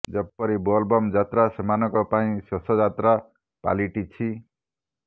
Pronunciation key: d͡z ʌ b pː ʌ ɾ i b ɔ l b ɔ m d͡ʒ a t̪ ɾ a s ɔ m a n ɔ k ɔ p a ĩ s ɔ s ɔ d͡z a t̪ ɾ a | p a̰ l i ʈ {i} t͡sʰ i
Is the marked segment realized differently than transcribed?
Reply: no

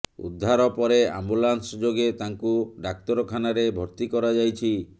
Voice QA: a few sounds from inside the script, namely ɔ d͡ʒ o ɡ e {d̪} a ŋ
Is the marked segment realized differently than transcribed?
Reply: yes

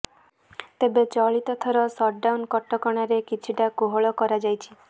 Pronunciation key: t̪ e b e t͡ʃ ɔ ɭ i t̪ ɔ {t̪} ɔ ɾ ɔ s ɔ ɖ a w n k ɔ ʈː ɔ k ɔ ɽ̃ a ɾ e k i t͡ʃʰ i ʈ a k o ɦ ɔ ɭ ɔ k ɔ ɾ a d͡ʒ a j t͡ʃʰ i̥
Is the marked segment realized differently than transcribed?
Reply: yes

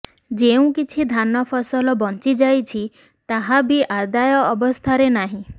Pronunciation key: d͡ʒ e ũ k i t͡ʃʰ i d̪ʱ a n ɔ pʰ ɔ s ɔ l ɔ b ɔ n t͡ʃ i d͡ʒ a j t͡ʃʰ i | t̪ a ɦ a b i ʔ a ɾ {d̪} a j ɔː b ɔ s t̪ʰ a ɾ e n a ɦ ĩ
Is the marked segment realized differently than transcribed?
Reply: no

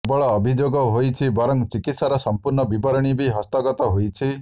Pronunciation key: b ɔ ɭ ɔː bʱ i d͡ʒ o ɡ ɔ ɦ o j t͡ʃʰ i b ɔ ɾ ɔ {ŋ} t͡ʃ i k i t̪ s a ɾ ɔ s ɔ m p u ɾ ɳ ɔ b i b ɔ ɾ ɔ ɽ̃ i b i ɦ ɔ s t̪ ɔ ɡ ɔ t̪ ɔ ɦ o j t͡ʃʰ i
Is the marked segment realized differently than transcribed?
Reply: no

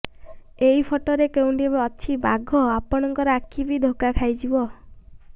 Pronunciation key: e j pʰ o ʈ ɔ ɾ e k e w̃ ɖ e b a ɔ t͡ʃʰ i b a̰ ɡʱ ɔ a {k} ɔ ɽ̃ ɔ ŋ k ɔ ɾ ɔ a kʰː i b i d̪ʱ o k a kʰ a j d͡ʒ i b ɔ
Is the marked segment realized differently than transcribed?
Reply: yes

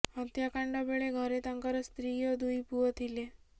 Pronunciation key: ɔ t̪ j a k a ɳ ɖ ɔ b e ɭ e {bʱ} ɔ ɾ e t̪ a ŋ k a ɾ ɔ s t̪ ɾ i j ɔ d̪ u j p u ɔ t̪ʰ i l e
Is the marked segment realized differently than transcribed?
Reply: yes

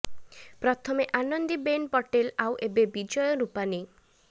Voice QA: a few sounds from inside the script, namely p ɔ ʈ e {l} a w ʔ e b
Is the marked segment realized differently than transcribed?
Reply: no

